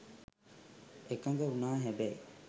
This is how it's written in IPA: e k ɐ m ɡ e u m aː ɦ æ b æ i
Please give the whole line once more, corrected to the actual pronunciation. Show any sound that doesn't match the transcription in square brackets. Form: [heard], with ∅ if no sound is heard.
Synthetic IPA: e k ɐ [ŋ] ɡ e u [n] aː ɦ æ b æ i

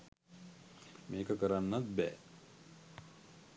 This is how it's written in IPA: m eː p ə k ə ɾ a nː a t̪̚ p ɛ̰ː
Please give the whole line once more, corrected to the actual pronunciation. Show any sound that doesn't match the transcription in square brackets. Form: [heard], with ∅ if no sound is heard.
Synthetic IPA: m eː [k] ə k ə ɾ a nː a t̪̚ [b] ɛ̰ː

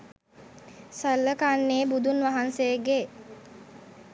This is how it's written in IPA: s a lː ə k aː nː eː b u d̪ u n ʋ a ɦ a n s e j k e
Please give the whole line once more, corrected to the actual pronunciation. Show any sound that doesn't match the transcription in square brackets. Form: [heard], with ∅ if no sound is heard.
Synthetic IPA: s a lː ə k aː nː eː b u d̪ u n ʋ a ɦ a n s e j [ɡ] e

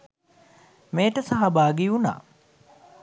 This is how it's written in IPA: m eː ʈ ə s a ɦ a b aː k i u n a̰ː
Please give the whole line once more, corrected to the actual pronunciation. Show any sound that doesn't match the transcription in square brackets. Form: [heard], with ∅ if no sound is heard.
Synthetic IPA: m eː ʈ ə s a ɦ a b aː [ɡ] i u n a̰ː

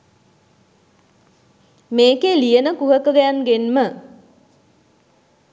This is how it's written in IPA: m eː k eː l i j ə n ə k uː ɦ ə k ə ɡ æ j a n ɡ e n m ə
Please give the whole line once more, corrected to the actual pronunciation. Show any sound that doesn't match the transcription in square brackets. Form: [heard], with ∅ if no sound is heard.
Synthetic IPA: m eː k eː l i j ə n ə k [u] ɦ ə k ə ɡ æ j a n ɡ e n m ə

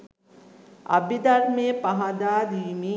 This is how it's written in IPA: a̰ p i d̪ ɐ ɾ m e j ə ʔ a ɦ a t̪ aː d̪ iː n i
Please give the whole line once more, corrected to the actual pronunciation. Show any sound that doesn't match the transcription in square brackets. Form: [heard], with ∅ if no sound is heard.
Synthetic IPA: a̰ [b] i d̪ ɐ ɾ m e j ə [p] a ɦ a [d̪] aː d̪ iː [m] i

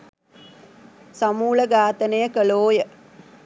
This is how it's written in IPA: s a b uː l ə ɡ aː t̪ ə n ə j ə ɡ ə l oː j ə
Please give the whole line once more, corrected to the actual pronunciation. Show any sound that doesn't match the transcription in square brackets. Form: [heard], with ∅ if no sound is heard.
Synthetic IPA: s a [m] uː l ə ɡ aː t̪ ə n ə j ə [k] ə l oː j ə

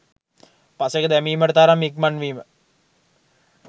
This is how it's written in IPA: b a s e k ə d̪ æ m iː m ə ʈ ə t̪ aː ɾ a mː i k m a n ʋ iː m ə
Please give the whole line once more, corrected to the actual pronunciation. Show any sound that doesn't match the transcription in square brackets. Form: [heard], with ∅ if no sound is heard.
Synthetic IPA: [p] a s e k ə d̪ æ m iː m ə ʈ ə t̪ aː ɾ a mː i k m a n ʋ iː m ə

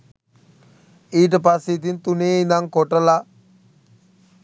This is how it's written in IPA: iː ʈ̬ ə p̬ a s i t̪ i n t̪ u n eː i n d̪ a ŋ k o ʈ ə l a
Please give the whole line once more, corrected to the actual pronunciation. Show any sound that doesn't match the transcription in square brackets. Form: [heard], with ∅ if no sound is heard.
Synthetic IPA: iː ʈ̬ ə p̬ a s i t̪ i n t̪ u n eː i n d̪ a ŋ k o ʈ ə l a

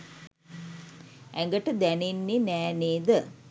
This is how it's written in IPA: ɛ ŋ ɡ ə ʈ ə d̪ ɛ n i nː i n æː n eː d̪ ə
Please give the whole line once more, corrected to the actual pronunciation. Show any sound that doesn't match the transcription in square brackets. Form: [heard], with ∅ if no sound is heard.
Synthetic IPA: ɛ ŋ ɡ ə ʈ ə d̪ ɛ n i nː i n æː n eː d̪ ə

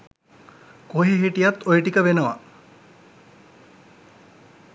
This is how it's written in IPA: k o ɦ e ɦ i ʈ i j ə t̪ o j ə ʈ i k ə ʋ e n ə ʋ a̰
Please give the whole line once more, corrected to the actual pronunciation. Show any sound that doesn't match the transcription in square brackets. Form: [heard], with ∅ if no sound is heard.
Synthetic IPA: k o ɦ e ɦ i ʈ i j [a] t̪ o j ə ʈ i k ə ʋ e n ə ʋ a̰

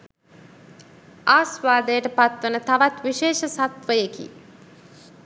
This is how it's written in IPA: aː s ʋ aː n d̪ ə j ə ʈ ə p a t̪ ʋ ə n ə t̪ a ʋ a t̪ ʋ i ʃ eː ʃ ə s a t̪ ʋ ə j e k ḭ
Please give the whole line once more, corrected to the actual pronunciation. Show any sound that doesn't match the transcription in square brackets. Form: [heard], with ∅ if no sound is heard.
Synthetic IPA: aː s ʋ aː [∅] d̪ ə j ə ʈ ə p a t̪ ʋ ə n ə t̪ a ʋ a t̪ ʋ i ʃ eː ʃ ə s a t̪ ʋ ə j e k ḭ

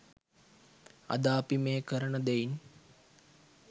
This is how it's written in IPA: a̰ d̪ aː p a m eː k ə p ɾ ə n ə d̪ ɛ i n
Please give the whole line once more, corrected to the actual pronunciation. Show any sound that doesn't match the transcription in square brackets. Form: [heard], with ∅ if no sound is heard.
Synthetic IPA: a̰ d̪ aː p [i] m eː k ə [∅] ɾ ə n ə d̪ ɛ i n

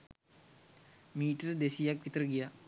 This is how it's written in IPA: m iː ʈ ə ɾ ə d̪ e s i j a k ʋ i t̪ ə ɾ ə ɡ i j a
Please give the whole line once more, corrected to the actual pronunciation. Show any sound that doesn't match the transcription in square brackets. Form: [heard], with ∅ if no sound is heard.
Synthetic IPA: m iː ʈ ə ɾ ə d̪ e s i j a k ʋ i t̪ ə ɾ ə ɡ i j a

